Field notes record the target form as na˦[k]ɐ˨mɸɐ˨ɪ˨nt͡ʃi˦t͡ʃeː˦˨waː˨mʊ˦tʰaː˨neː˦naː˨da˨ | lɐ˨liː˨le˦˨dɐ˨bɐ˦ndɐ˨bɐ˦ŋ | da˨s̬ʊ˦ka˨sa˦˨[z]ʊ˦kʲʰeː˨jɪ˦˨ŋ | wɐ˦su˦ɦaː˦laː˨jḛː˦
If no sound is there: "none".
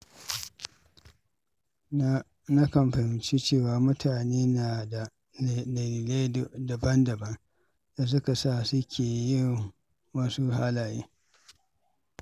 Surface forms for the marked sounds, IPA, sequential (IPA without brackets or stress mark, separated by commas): k, s